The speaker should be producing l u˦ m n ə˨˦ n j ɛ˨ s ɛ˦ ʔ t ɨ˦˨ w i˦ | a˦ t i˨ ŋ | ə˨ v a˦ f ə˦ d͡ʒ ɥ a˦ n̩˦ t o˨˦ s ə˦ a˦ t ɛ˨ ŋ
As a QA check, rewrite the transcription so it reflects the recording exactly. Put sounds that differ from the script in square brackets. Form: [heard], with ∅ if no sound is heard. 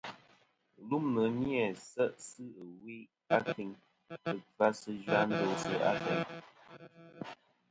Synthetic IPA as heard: l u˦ m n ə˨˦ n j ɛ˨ s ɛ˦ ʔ [s] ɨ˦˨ w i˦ | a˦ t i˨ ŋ | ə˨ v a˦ [s] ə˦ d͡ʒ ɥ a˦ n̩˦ [d] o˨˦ s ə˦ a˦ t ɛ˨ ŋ